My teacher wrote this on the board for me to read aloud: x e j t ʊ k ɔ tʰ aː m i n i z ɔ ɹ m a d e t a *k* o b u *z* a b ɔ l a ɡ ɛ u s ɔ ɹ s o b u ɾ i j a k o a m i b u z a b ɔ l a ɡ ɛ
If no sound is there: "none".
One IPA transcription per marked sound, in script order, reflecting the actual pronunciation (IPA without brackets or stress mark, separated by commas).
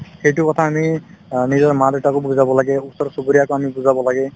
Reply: k, z